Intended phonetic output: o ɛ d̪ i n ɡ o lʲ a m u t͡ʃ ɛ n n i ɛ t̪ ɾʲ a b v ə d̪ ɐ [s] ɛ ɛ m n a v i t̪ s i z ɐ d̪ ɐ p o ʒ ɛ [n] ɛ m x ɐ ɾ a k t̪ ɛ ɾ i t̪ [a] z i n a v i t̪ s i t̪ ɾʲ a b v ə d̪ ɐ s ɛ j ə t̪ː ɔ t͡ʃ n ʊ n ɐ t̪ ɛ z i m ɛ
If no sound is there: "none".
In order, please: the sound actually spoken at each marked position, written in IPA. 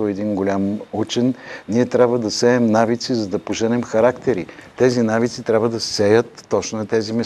s, n, ɛ

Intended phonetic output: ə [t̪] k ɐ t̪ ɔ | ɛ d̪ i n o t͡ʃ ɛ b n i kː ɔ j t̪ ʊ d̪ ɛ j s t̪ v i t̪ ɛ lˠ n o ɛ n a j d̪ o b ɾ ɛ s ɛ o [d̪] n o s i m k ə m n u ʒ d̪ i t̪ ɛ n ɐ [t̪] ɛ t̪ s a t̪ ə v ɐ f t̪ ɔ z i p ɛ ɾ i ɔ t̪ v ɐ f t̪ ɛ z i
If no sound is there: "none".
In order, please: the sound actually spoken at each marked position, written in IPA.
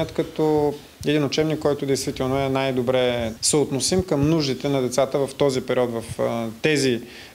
t̪, t̪, d̪

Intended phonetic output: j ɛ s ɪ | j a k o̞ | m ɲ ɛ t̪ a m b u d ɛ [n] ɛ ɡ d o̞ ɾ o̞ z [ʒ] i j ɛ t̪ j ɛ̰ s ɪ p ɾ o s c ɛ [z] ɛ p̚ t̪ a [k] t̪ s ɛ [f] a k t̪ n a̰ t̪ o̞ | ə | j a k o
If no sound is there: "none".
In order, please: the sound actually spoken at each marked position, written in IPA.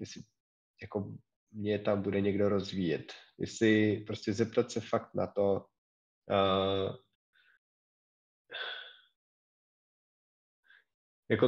ɲ, v, z, none, f

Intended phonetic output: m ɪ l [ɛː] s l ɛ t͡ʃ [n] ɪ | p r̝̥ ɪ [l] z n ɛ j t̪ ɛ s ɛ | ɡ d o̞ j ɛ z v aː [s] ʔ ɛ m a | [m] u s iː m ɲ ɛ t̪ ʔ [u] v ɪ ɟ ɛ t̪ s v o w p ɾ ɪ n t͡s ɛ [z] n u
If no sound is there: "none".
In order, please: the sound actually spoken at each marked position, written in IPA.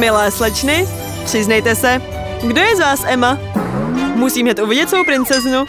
ɛː, n, none, s, m, u, z

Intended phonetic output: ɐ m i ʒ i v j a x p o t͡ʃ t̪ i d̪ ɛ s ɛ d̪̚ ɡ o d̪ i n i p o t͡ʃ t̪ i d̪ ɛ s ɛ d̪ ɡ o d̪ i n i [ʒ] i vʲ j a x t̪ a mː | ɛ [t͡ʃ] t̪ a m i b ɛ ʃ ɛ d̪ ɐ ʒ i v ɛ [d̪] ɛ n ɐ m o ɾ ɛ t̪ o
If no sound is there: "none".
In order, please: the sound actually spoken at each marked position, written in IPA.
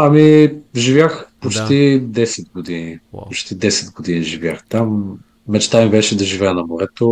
ʒ, t͡ʃ, none

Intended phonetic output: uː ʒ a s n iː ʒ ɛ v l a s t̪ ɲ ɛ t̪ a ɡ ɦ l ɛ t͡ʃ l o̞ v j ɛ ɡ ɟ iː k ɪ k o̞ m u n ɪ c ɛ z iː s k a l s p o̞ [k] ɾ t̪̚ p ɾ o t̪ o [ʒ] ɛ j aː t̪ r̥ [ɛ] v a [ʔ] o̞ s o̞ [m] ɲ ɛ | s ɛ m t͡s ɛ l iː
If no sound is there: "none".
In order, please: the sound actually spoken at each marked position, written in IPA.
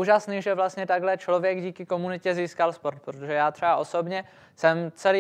none, ʒ, ɛ, ʔ, b

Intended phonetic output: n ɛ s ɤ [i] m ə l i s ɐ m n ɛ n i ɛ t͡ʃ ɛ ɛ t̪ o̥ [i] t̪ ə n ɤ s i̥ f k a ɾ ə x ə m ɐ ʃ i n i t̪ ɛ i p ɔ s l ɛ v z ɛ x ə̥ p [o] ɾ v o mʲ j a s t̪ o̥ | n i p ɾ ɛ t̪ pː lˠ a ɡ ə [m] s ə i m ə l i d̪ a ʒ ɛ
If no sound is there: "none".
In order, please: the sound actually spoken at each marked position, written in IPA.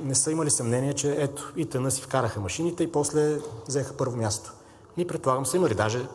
i, i, ɤ, m

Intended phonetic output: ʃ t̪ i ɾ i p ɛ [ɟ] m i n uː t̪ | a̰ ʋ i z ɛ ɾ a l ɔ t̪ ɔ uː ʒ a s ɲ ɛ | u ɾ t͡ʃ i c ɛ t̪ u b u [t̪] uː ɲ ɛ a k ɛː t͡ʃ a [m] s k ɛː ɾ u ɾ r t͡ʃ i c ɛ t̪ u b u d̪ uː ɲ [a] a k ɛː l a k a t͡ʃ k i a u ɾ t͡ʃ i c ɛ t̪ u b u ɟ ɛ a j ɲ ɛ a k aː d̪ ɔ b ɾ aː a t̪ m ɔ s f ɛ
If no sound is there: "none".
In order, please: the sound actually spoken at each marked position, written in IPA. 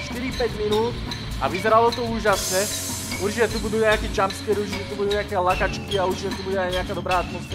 ɟ, d̪, m, ɛ

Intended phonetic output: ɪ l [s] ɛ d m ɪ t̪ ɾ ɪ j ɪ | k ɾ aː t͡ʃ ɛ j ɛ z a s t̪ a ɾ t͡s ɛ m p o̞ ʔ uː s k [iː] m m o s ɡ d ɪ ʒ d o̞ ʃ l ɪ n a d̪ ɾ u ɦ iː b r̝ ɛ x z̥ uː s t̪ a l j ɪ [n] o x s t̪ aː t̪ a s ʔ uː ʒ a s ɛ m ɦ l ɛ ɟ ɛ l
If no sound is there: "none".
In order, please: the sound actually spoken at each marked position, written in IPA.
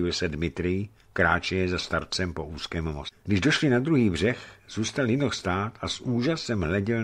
s, ɛː, n

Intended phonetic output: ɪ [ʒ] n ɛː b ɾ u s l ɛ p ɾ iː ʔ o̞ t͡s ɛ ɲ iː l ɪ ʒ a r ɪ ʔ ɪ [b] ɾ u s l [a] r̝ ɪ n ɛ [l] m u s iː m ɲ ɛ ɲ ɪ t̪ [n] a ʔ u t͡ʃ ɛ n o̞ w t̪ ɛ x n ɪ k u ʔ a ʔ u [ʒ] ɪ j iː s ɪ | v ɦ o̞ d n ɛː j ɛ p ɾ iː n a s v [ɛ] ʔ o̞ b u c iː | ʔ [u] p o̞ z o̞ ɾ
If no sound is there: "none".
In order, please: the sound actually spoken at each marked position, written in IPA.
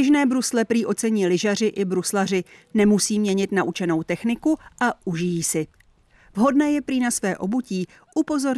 ʒ, b, a, none, n, ʒ, ɛː, u

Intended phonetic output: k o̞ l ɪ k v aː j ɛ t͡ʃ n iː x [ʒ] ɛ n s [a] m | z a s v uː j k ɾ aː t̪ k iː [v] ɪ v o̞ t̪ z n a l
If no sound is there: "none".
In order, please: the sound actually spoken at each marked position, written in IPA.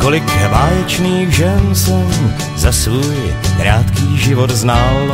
ʒ, ɛ, ʒ

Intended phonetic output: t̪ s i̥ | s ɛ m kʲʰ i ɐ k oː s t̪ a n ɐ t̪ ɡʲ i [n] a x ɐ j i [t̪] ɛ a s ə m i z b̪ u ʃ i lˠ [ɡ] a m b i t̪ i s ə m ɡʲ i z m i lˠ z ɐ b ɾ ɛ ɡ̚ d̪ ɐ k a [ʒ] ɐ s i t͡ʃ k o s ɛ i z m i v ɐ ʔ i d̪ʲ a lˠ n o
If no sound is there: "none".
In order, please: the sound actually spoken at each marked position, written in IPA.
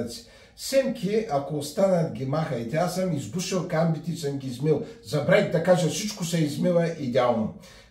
m, t̪, k, ʒ

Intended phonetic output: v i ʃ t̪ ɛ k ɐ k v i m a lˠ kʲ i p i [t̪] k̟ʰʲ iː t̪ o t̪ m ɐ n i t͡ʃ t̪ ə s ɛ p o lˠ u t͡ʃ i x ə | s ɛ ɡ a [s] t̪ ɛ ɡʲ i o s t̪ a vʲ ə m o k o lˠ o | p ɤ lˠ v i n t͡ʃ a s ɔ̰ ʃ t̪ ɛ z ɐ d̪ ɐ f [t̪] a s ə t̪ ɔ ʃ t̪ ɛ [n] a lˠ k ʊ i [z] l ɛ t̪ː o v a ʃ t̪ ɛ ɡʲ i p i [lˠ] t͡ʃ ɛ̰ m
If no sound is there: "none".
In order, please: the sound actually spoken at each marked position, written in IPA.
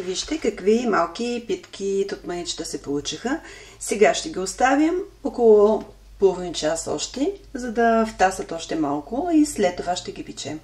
t̪, ʃ, t̪, m, s, none

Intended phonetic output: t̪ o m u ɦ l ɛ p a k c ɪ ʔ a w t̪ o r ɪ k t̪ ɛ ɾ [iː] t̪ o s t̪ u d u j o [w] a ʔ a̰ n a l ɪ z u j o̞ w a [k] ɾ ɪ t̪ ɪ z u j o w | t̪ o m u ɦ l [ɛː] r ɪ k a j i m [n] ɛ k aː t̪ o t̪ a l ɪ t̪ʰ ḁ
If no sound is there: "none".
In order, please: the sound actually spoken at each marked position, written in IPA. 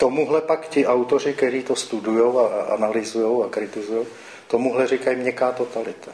iː, w, k, ɛ, ɲ

